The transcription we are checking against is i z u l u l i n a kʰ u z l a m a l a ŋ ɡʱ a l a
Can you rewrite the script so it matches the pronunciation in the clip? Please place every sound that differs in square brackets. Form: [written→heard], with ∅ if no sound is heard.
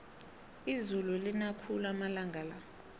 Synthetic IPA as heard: i z u l u l i n a kʰ u [z→∅] l a m a l a ŋ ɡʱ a l a